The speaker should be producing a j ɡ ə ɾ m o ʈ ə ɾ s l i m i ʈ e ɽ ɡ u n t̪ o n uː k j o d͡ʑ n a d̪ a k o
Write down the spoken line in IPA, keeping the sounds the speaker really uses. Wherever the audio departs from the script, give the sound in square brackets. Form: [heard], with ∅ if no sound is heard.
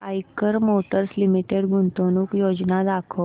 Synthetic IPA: a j [k] ə ɾ m o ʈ ə ɾ s l i m i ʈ e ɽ ɡ u n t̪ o n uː k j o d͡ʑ n a d̪ a [kʰ] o